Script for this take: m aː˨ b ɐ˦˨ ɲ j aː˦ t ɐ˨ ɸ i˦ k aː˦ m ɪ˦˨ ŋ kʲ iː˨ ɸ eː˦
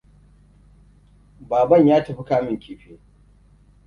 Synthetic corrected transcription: b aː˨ b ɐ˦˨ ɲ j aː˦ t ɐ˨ ɸ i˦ k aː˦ m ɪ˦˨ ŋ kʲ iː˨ ɸ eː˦